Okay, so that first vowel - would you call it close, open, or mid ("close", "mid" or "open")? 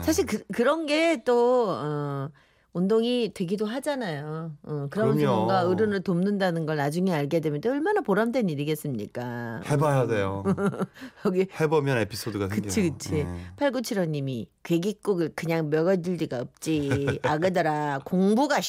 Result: open